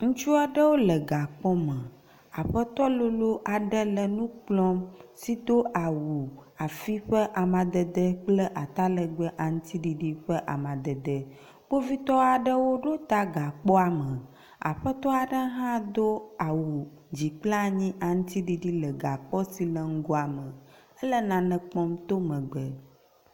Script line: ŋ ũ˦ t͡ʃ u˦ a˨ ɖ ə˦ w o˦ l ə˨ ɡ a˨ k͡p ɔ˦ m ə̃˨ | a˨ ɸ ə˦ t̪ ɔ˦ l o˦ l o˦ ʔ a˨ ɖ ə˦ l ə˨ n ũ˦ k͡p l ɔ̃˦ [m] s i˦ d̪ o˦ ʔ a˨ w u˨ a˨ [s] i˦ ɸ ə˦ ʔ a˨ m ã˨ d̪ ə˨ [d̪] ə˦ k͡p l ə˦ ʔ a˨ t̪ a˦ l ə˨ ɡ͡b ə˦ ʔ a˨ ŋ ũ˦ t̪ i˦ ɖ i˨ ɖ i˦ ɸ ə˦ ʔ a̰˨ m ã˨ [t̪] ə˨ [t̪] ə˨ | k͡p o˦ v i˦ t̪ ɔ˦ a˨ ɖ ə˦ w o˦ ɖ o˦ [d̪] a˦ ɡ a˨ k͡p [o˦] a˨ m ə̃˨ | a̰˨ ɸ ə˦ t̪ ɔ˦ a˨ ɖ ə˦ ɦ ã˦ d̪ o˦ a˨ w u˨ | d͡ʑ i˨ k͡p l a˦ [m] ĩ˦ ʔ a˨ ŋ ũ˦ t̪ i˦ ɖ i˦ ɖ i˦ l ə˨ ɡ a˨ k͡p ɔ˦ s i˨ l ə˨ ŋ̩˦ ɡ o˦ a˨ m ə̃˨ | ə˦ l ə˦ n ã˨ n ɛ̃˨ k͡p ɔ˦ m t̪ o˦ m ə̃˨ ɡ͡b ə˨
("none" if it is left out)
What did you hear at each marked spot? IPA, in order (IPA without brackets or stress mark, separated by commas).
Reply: m, f, d̪, d̪, d̪, t̪, ɔ˦, ɲ